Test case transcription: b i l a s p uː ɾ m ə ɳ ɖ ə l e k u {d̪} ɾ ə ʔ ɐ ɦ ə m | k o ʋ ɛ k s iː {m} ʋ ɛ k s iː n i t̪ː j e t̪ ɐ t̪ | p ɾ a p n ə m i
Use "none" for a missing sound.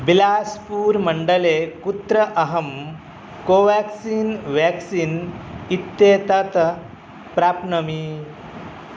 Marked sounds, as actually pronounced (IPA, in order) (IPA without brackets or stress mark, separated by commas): t̪, n